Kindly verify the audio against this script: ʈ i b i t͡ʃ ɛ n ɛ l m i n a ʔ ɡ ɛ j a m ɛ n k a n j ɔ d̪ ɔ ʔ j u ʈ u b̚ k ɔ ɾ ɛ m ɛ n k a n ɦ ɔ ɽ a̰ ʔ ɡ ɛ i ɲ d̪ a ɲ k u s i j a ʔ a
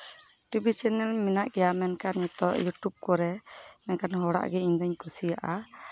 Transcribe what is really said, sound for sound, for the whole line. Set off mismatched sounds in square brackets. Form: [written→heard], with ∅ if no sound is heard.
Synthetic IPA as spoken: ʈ i b i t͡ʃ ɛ n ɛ l m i n a ʔ ɡ ɛ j a m ɛ n k a n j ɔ [d̪→t̪] ɔ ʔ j u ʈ u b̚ k ɔ ɾ ɛ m ɛ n k a n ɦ ɔ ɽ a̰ ʔ ɡ ɛ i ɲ d̪ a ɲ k u s i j a ʔ a